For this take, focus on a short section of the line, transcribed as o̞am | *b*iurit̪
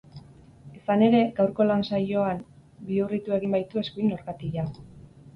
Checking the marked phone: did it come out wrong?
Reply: no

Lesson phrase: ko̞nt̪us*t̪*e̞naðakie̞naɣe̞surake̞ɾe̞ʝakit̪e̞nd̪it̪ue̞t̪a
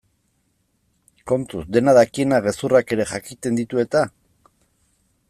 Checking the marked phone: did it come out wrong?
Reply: yes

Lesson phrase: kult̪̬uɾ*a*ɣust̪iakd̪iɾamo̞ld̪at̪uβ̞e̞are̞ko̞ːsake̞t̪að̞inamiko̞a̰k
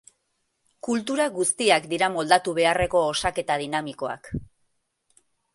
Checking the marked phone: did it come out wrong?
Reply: no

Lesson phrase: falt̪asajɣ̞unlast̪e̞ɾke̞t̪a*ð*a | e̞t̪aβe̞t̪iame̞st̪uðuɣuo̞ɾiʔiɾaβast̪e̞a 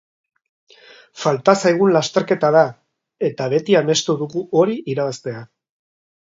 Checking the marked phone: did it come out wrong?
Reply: no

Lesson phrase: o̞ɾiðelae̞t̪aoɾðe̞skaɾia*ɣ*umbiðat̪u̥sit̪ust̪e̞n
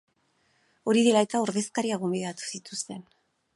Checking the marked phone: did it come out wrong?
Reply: no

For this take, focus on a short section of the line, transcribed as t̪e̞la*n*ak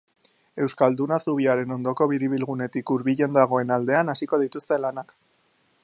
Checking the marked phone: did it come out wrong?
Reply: no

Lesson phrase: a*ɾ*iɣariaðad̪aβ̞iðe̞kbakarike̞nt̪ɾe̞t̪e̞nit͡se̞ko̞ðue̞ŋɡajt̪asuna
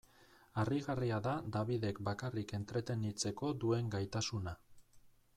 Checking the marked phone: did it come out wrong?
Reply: yes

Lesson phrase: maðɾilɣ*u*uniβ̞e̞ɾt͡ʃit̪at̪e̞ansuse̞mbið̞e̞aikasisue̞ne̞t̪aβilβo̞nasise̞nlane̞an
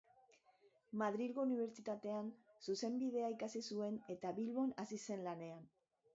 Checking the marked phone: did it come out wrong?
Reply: yes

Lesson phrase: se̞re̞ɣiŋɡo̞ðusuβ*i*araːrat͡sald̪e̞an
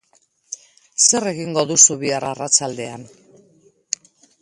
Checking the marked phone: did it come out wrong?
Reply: no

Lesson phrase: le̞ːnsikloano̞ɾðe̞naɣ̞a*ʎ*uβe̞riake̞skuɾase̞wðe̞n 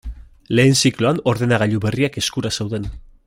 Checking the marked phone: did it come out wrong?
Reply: no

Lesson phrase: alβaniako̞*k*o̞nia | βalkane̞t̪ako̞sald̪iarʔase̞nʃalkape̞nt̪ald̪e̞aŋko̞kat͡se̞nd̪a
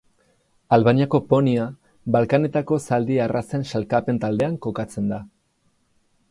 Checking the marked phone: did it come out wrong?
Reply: yes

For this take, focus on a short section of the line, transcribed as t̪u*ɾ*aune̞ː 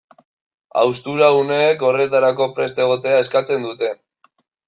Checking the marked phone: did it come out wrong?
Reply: no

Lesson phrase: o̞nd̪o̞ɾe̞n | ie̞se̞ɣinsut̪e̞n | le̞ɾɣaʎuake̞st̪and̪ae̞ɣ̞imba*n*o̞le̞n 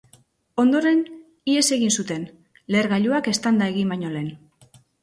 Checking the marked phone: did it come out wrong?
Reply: yes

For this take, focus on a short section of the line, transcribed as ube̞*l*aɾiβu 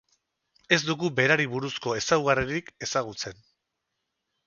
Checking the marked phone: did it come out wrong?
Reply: yes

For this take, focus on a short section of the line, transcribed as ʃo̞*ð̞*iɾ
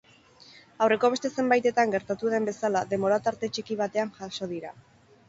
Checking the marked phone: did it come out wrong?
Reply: no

